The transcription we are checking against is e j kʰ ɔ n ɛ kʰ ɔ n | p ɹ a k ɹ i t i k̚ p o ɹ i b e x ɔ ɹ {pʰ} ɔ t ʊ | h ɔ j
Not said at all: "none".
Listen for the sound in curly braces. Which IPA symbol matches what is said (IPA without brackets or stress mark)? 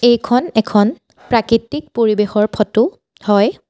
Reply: pʰ